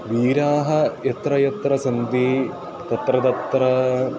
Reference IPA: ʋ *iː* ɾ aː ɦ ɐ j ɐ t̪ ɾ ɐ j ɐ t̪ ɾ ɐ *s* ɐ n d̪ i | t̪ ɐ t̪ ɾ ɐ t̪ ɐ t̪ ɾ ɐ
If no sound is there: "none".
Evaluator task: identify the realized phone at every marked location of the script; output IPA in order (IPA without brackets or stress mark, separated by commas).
iː, s